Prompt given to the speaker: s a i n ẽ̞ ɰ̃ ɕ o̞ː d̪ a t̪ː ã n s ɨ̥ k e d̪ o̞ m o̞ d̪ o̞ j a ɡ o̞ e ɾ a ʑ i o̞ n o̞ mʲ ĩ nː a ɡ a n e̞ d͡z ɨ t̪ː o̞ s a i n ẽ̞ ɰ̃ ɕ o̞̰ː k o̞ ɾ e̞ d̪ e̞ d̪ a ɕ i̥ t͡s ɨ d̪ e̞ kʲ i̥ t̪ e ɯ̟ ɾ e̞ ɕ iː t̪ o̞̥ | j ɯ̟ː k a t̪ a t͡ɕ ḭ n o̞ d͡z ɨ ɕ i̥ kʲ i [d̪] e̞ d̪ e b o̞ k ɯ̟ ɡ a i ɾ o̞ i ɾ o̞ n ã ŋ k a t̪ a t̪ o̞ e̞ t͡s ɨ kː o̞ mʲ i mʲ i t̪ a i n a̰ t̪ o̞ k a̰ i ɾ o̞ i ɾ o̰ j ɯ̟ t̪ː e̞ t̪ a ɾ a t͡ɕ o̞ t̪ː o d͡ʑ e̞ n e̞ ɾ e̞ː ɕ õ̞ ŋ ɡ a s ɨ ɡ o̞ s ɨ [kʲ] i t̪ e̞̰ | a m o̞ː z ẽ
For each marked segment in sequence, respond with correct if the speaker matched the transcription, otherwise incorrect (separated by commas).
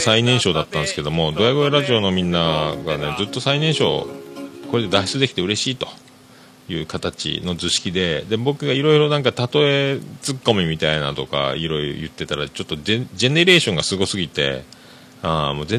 correct, incorrect